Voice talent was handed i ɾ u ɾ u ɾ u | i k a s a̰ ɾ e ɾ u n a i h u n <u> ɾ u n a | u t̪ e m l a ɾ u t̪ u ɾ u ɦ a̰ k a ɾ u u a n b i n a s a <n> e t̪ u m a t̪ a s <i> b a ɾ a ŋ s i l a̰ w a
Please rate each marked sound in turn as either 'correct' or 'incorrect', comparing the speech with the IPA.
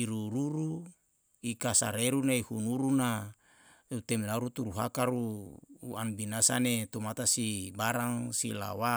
correct, correct, correct

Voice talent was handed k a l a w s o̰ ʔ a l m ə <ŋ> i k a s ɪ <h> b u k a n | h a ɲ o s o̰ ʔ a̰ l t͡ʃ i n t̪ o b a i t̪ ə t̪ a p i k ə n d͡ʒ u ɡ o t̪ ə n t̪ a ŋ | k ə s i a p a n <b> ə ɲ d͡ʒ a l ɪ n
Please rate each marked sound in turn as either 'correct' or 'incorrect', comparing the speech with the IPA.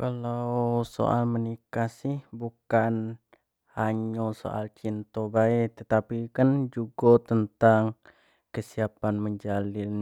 incorrect: n, correct, incorrect: m

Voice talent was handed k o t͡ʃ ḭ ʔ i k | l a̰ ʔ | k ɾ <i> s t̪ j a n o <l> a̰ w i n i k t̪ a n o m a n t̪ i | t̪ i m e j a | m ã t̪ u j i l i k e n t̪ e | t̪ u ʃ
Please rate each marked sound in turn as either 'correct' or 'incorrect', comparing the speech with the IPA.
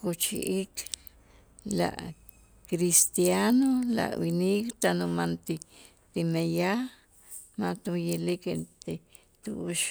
correct, correct

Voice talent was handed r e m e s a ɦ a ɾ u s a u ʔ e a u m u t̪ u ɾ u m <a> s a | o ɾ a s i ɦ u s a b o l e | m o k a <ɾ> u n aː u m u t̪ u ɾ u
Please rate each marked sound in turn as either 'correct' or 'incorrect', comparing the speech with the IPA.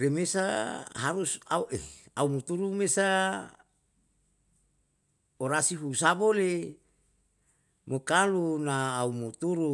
incorrect: e, incorrect: l

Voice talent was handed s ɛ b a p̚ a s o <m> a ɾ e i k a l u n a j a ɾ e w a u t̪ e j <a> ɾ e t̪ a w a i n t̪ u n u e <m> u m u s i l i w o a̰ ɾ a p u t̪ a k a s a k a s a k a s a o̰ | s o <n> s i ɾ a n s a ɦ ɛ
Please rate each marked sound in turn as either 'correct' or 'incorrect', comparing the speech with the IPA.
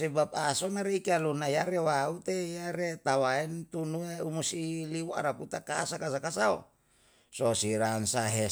incorrect: n, correct, incorrect: none, incorrect: none

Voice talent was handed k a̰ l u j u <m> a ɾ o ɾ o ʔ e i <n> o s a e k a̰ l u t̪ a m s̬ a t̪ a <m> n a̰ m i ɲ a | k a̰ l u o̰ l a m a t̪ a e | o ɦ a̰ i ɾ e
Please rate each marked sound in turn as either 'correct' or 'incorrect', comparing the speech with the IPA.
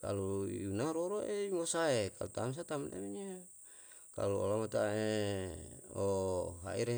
incorrect: n, incorrect: m, correct

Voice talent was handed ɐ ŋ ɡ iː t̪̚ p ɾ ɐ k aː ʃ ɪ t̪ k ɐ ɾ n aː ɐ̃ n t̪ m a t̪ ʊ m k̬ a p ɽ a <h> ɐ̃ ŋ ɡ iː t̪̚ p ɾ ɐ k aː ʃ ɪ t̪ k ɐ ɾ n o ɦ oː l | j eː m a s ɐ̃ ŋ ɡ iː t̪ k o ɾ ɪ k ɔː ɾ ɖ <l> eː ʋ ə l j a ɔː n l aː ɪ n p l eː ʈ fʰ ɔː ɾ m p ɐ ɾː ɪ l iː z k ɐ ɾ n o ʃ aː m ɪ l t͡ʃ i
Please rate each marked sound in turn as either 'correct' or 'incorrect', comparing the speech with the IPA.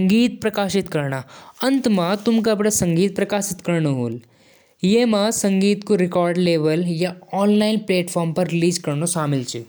incorrect: s, correct

